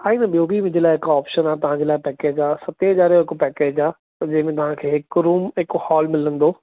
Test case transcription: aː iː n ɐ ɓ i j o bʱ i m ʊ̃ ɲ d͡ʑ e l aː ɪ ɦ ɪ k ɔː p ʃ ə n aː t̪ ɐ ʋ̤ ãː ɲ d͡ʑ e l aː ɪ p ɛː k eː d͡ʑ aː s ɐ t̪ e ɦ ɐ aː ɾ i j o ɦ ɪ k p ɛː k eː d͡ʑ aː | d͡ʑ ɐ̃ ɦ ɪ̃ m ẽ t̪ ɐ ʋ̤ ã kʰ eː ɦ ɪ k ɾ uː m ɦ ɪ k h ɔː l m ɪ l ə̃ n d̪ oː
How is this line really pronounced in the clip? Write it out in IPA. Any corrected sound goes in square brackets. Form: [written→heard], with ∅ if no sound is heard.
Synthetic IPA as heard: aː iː n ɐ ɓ i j o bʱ i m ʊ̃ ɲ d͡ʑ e l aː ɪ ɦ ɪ k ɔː p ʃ ə n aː t̪ ɐ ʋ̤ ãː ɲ d͡ʑ e l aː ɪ p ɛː k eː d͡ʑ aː s ɐ t̪ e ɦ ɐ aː ɾ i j o ɦ ɪ k p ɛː k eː d͡ʑ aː | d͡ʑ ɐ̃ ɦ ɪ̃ m ẽ t̪ ɐ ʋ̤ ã kʰ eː ɦ ɪ k ɾ uː m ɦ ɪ k h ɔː l m ɪ l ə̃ n d̪ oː